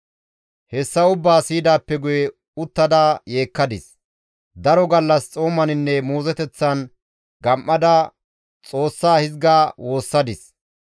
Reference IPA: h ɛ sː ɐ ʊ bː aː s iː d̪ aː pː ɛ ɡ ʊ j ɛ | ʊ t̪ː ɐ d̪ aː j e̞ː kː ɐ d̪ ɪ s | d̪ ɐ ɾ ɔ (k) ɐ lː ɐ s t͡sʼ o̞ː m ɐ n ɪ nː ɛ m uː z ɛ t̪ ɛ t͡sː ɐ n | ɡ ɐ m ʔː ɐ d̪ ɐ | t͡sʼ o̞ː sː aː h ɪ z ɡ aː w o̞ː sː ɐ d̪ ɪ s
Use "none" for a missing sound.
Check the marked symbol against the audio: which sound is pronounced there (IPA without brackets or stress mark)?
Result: ɡ